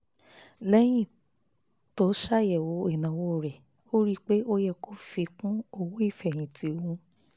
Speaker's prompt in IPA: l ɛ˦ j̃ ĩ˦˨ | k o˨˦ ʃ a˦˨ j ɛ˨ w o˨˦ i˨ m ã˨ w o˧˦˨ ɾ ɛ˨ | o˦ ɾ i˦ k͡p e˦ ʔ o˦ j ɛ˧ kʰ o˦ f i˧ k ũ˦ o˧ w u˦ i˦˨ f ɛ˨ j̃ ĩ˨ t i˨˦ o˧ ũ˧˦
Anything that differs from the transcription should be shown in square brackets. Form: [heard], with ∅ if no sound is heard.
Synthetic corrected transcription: l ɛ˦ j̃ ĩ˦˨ | [t] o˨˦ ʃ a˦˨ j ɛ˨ w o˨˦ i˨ [n] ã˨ w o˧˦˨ ɾ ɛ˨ | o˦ ɾ i˦ k͡p e˦ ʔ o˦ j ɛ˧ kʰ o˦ f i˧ k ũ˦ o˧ w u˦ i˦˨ f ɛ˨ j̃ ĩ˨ t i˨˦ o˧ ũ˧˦